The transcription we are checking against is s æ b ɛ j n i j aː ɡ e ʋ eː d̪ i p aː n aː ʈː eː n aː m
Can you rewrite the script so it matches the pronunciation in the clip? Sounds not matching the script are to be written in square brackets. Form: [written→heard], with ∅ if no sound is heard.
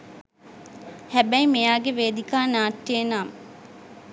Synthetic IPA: [s→h] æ b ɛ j [n→m] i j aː ɡ e ʋ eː d̪ i [p→k] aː n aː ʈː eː n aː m